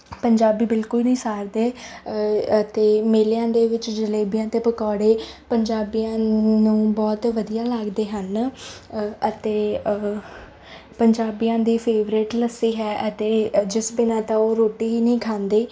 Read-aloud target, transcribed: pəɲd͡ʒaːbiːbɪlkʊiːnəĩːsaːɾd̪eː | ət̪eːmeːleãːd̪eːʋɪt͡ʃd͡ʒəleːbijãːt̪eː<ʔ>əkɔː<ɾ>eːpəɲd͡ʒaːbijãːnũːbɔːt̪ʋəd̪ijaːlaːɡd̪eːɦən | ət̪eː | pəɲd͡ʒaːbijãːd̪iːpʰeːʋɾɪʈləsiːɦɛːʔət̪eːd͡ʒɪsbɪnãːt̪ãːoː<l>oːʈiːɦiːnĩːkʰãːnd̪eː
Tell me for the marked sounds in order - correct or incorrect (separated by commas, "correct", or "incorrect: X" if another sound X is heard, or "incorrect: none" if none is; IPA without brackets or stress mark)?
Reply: incorrect: p, incorrect: ɽ, incorrect: ɾ